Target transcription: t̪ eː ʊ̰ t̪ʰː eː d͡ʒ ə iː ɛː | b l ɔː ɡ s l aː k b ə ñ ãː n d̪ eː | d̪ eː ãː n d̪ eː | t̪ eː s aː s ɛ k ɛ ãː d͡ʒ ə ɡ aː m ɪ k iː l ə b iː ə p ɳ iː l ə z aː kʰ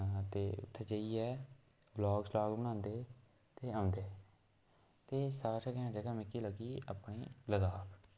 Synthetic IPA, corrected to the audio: t̪ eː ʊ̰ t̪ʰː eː d͡ʒ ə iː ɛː | b l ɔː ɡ s l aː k b ə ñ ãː n d̪ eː | t̪ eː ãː n d̪ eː | t̪ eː s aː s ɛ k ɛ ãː d͡ʒ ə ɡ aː m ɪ k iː l ə ɡ iː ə p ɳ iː l ə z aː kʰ

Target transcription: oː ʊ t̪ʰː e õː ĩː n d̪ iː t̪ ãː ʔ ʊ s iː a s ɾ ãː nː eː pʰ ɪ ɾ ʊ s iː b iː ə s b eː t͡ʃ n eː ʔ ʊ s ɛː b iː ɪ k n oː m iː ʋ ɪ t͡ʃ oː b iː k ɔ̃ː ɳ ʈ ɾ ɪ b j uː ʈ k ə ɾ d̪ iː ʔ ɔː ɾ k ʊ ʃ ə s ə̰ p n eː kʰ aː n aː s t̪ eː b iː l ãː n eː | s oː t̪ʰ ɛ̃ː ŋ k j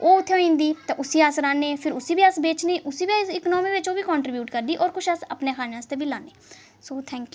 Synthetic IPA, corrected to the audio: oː ʊ t̪ʰː e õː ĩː n d̪ iː t̪ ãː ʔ ʊ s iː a s ɾ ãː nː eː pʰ ɪ ɾ ʊ s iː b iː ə s b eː t͡ʃ n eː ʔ ʊ s iː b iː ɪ k n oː m iː ʋ ɪ t͡ʃ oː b iː k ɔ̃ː ɳ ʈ ɾ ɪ b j uː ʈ k ə ɾ d̪ iː ʔ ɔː ɾ k ʊ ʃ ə s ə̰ p n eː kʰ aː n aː s t̪ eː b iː l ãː n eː | s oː t̪ʰ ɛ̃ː ŋ k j

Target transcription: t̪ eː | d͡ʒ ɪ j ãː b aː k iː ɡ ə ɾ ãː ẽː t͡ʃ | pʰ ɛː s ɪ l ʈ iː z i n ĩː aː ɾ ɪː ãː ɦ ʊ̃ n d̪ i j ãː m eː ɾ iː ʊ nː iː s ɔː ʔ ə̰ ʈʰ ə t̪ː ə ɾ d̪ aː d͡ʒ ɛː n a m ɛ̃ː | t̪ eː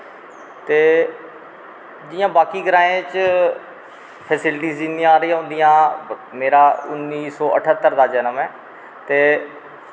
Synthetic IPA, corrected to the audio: t̪ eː | d͡ʒ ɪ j ãː b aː k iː ɡ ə ɾ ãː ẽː t͡ʃ | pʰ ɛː s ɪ l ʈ iː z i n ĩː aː ɾ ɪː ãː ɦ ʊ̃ n d̪ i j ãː m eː ɾ aː ʊ nː iː s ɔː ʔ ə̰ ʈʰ ə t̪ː ə ɾ d̪ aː d͡ʒ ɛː n ə m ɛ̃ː | t̪ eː

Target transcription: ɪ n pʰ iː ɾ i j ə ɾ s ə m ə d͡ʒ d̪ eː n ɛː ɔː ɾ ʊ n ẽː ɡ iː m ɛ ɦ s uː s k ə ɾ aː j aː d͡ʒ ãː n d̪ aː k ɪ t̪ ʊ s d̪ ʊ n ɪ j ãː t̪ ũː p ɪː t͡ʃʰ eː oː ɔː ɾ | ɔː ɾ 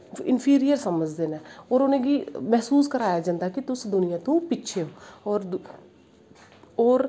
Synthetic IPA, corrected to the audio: ɪ n pʰ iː ɾ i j ə ɾ s ə m ə d͡ʒ d̪ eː n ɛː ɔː ɾ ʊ n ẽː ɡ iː m ɛ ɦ s uː s k ə ɾ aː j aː d͡ʒ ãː n d̪ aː k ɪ t̪ ʊ s d̪ ʊ n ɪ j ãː t̪ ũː p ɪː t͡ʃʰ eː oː ɔː ɾ | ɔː ɾ

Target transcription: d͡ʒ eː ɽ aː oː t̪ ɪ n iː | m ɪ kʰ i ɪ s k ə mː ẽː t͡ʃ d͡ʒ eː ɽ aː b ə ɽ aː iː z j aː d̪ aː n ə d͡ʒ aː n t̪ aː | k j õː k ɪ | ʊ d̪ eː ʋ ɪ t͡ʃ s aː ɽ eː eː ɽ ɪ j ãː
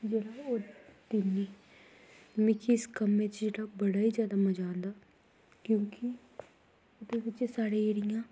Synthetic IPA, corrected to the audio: d͡ʒ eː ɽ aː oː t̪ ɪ n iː | m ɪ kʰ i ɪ s k ə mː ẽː t͡ʃ d͡ʒ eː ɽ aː b ə ɽ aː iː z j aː d̪ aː m ə d͡ʒ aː n d̪ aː | k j õː k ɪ | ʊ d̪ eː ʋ ɪ t͡ʃ s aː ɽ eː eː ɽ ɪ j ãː

